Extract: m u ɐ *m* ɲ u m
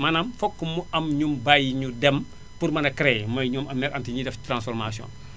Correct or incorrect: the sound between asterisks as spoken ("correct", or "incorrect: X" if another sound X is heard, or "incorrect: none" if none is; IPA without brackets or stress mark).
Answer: correct